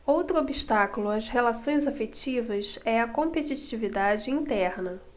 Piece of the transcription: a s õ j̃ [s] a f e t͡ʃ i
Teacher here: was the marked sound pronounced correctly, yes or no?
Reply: no